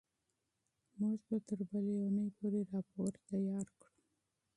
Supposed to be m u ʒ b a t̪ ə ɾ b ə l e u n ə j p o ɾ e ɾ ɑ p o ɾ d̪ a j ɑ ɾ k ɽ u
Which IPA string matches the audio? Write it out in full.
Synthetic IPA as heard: m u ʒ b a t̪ ə ɾ b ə l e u n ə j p o ɾ e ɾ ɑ p o ɾ t̪ a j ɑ ɾ k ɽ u